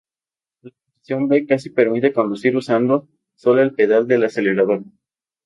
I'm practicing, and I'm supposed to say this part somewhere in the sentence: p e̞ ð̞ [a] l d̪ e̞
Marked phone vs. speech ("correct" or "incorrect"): correct